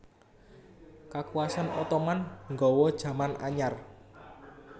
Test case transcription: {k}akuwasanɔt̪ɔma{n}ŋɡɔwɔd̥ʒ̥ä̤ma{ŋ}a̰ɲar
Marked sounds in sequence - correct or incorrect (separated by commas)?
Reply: correct, correct, incorrect